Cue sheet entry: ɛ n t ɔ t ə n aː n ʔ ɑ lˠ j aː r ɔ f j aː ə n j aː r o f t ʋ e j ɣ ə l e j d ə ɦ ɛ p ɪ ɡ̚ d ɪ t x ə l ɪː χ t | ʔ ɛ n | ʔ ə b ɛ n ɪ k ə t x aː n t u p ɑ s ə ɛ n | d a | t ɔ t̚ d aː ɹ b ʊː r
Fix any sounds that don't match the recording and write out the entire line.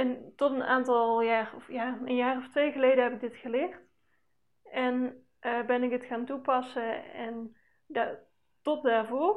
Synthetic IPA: ɛ n t ɔ t ə n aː n t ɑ lˠ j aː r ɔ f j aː ə n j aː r ɔ f t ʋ e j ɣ ə l e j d ə ɦ ɛ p ɪ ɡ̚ d ɪ t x ə l ɪː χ t | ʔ ɛ n | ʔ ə b ɛ n ɪ k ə t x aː n t u p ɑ s ə ɛ n | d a | t ɔ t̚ d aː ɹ v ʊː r